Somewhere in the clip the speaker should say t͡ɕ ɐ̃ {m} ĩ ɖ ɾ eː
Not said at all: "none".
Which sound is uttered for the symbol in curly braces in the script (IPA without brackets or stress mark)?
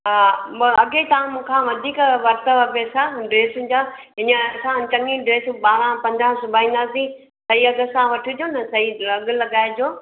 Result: ŋ